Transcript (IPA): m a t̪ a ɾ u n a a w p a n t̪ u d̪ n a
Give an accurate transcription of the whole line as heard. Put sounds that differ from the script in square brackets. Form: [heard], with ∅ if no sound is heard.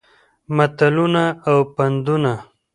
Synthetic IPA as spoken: m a t̪ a [l] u n a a w p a n [d̪] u [∅] n a